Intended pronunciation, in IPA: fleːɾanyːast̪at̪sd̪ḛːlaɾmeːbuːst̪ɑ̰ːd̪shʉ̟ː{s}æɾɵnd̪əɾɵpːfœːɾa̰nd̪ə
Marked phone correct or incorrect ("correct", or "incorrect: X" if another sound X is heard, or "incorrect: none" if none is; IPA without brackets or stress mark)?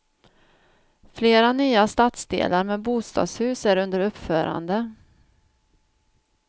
correct